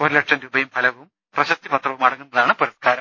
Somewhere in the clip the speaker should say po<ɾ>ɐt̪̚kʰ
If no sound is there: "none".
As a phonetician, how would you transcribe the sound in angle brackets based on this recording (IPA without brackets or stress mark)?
ɾ